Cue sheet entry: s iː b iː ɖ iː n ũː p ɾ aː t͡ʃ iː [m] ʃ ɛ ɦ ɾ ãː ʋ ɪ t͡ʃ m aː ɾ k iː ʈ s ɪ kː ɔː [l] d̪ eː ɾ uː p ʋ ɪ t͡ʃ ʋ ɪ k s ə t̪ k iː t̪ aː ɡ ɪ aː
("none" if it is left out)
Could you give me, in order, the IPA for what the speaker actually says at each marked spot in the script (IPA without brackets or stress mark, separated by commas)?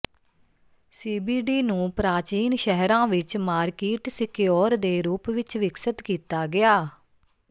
n, ɾ